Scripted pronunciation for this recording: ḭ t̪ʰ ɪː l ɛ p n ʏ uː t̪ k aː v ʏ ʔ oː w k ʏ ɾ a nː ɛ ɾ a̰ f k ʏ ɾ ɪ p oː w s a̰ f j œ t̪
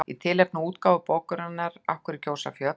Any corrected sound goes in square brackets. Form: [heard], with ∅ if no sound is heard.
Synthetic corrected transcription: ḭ t̪ʰ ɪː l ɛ p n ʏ uː t̪ k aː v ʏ [p] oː w k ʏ ɾ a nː [a] ɾ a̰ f k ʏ ɾ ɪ [c] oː w s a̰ f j œ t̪

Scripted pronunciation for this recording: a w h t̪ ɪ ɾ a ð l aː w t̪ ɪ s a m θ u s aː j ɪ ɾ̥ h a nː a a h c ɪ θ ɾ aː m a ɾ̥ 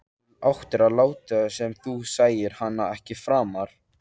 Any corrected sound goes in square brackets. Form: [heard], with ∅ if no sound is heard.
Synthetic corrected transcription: a w h t̪ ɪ ɾ a ð l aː w t̪ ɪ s [ɛ] m θ u s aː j ɪ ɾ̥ h a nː a [ɛ] h c ɪ [f] ɾ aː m a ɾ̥

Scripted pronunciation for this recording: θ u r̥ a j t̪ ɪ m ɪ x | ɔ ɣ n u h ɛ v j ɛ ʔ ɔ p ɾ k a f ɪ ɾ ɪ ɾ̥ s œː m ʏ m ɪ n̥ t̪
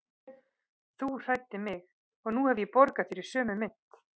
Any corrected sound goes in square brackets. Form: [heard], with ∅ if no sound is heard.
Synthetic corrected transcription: θ u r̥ a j t̪ ɪ m ɪ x | ɔ ɣ n u h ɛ v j ɛ [p] ɔ [∅] ɾ k a f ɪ ɾ ɪ ɾ̥ s œː m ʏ m ɪ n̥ t̪

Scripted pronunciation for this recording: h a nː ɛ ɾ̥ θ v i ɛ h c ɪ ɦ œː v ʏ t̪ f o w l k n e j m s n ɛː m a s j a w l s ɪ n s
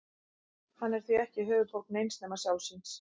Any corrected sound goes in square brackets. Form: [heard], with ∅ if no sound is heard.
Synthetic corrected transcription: h a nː ɛ ɾ̥ θ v i ɛ h c ɪ ɦ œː v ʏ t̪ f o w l k n e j [n] s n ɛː m a s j a w l s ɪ n s

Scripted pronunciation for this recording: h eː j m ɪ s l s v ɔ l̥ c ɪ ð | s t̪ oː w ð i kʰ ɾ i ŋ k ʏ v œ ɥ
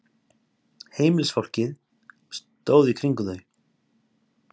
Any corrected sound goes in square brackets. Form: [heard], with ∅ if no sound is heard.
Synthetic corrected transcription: h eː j m ɪ [∅] l s [f] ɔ [r̥] c ɪ ð | s t̪ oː w ð i kʰ ɾ i ŋ k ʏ [ð] œ ɥ

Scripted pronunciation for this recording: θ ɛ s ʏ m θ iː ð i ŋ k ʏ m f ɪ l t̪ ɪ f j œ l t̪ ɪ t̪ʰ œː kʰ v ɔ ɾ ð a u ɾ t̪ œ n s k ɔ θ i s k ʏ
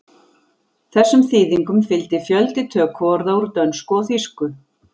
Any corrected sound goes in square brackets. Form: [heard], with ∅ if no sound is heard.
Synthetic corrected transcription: θ ɛ [sː] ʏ m θ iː ð i ŋ k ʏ m f ɪ l t̪ ɪ f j œ l t̪ ɪ t̪ʰ œː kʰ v ɔ ɾ ð a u ɾ t̪ œ n s k ɔ θ i s k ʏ

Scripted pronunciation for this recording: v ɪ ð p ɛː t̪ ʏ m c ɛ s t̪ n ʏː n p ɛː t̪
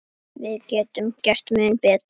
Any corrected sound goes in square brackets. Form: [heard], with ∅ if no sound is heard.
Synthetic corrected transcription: v ɪ ð [c] ɛː t̪ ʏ m c ɛ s t̪ [m] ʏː n p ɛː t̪

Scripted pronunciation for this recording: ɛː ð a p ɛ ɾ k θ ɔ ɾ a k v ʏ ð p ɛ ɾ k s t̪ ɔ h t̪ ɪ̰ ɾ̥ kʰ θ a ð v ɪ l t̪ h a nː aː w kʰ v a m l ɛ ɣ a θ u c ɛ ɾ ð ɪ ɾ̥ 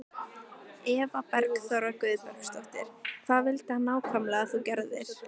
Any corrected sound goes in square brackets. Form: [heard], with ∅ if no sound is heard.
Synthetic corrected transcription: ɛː [v] a p ɛ ɾ k θ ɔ ɾ a k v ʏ ð p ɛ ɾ k s t̪ ɔ h t̪ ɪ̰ ɾ̥ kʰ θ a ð v ɪ l t̪ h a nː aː w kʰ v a m l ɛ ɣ a θ u c ɛ ɾ ð ɪ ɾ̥

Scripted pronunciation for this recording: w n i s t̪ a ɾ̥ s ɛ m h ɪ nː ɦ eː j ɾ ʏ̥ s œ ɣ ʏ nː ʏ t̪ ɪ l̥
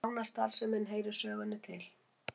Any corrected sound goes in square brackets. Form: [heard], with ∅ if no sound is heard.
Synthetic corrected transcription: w n [a] s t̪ a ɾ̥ s ɛ m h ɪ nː ɦ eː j ɾ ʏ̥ s [œː] ɣ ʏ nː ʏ [t̪ʰ] ɪ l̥

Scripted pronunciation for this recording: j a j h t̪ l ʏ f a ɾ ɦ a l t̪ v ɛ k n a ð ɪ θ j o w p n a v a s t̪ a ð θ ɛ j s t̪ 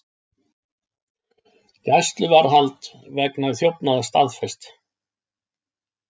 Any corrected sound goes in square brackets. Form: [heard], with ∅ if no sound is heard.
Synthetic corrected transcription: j a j [s] t̪ l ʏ [v] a ɾ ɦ a l t̪ v ɛ k n a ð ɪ θ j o w p n a [ð] a s t̪ a ð [f] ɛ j s t̪

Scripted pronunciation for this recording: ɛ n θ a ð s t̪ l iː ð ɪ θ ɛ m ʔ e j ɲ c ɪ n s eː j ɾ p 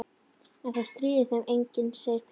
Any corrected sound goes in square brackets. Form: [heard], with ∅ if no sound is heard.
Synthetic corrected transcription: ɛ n θ a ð s t̪ [ɾ] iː ð ɪ θ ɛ m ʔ e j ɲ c ɪ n s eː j ɾ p

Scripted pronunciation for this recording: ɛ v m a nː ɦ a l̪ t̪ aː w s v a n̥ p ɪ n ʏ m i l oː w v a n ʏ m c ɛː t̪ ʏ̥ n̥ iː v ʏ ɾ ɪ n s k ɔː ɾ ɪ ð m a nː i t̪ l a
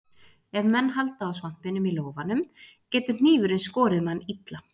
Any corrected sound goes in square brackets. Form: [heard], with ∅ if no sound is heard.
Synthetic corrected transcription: ɛ v m [ɛ] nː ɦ a l̪ t̪ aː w s v a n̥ p ɪ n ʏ m i l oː w v a n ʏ m c ɛː t̪ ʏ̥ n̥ iː v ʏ ɾ ɪ n s k ɔː ɾ ɪ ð m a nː i t̪ l a

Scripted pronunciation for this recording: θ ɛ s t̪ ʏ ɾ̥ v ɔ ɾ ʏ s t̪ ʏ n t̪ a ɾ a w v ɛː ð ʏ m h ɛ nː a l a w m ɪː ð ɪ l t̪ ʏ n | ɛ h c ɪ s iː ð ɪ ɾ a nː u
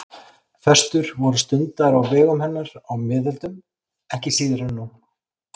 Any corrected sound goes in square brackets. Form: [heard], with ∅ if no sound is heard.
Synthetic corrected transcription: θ ɛ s t̪ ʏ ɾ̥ v ɔ ɾ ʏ s t̪ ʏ n t̪ a ɾ a w v ɛː [ɣ] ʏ m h ɛ nː a [ɾ] a w m ɪː ð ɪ l t̪ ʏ [m] | ɛ h c ɪ s iː ð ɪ ɾ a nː u

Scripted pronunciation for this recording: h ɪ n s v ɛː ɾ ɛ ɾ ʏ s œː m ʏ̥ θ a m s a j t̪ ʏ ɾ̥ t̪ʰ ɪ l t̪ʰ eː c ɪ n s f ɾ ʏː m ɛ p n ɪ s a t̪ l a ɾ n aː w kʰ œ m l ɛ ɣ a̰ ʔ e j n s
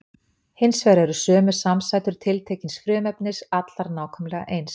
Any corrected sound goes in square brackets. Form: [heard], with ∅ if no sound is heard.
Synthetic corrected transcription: h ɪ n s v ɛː ɾ ɛ ɾ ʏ s œː m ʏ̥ [s] a m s a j t̪ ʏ ɾ̥ t̪ʰ ɪ l t̪ʰ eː c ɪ n s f ɾ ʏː m ɛ p n ɪ s a t̪ l a ɾ n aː w kʰ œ m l ɛ ɣ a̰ ʔ e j n s

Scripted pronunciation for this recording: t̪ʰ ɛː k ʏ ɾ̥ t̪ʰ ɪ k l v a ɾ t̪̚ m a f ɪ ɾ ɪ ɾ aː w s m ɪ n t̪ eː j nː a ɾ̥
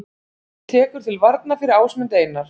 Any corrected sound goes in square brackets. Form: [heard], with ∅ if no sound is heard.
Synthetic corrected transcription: t̪ʰ ɛː k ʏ ɾ̥ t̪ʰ ɪ [∅] l v a ɾ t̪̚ [n] a f ɪ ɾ ɪ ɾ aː w s m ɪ n t̪ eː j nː a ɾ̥

